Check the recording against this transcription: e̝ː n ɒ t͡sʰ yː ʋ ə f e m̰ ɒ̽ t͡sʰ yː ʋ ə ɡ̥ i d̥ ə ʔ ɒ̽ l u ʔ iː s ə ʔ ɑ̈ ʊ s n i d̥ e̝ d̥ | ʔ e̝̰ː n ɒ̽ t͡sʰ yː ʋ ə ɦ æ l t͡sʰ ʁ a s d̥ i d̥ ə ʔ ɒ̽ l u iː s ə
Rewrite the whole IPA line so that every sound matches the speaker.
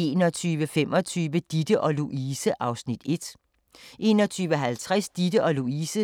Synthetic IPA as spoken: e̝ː n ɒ t͡sʰ yː ʋ ə f e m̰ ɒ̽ t͡sʰ yː ʋ ə d̥ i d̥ ə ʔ ɒ̽ l u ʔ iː s ə ʔ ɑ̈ ʊ s n i d̥ e̝ d̥ | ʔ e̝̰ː n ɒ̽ t͡sʰ yː ʋ ə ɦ æ l t͡sʰ ʁ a s d̥ i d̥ ə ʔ ɒ̽ l u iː s ə